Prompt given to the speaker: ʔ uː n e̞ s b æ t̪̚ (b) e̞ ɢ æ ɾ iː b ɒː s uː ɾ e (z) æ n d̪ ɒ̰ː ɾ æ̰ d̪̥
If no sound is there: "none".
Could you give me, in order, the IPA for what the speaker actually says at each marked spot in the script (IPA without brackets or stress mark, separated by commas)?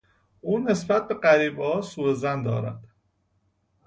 b, z